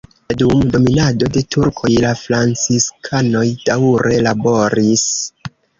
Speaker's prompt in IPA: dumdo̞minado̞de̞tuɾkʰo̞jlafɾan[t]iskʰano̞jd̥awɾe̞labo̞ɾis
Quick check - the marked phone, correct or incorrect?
incorrect